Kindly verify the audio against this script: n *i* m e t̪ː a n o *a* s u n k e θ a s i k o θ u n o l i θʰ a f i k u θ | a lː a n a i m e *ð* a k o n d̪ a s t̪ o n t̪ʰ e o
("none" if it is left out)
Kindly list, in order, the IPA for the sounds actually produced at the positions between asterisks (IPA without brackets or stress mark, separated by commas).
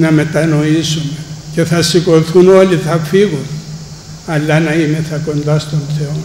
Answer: a, i, θ